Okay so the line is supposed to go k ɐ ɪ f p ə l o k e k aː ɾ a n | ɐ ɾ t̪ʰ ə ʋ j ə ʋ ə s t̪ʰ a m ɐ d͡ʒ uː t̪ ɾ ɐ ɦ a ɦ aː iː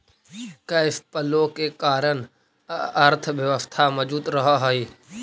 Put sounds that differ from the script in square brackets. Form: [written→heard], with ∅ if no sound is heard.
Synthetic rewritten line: k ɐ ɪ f p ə l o k e k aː ɾ [a→ə] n | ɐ ɾ t̪ʰ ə ʋ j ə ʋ ə s t̪ʰ a m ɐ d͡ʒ uː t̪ ɾ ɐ ɦ a ɦ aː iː